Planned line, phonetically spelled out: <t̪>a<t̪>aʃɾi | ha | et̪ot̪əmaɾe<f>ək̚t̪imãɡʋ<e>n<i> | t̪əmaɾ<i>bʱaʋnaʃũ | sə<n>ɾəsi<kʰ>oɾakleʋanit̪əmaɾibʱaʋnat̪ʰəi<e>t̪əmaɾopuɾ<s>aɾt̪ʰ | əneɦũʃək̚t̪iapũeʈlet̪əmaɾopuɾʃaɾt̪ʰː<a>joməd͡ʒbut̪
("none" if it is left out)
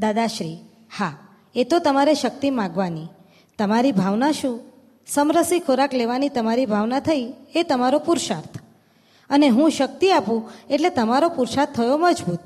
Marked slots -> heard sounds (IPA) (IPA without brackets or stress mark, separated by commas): d̪, d̪, ʃ, a, i, i, m, kʰ, e, ʃ, ə